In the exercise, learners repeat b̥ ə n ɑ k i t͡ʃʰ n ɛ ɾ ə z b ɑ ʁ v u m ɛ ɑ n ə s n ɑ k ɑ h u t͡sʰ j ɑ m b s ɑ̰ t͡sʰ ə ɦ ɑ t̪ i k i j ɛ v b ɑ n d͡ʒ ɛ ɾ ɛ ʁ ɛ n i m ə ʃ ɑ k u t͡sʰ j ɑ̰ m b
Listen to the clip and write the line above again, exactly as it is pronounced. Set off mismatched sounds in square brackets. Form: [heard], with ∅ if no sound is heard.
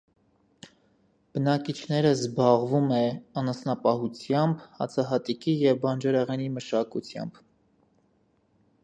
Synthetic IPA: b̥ ə n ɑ k i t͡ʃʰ n ɛ ɾ ə z b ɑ ʁ v u m ɛ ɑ n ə s n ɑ [p] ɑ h u t͡sʰ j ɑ m b [h] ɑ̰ t͡sʰ [ɑ] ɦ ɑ t̪ i k i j ɛ v b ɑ n d͡ʒ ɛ ɾ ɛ ʁ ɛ n i m ə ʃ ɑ k u t͡sʰ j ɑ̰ m b